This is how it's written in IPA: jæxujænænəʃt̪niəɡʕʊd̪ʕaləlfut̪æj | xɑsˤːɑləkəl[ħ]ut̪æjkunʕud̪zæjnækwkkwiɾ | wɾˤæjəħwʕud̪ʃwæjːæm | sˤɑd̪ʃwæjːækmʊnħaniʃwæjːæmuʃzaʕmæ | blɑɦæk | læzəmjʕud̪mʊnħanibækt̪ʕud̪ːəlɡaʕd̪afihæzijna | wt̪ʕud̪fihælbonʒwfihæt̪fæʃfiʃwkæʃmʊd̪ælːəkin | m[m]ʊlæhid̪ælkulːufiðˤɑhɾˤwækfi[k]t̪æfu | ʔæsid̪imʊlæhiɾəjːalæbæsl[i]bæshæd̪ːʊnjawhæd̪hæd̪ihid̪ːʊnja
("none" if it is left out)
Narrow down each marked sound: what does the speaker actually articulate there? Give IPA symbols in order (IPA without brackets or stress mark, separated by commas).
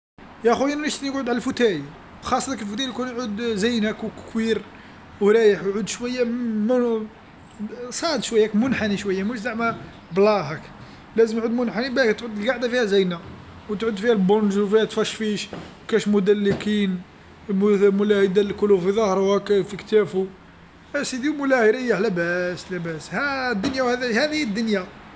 f, m, k, æ